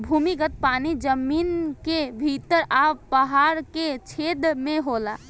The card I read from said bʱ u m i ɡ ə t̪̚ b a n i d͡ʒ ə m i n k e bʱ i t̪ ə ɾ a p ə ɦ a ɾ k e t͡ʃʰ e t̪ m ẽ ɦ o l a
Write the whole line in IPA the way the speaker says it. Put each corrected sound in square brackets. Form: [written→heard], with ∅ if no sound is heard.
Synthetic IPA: bʱ u m i ɡ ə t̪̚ [b→p] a n i d͡ʒ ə m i n k e bʱ i t̪ ə ɾ a p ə ɦ a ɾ k e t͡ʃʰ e [t̪→d̪] m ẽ ɦ o l a